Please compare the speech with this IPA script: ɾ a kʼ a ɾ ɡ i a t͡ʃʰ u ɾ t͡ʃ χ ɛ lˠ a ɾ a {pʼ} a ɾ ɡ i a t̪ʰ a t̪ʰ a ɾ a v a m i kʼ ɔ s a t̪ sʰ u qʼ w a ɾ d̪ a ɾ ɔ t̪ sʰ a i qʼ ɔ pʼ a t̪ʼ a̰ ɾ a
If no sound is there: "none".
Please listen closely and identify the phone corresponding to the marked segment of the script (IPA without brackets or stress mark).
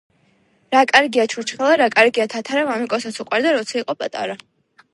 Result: kʼ